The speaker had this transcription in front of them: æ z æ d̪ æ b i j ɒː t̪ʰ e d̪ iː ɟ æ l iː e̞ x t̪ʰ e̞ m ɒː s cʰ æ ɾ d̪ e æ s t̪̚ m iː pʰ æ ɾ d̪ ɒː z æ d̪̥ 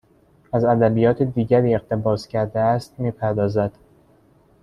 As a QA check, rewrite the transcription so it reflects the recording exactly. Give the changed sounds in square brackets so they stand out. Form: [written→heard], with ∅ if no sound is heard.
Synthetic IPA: æ z æ d̪ æ b i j ɒː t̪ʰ e d̪ iː ɟ æ [l→ɾ] iː e̞ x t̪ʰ e̞ [m→b] ɒː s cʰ æ ɾ d̪ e æ s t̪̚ m iː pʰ æ ɾ d̪ ɒː z æ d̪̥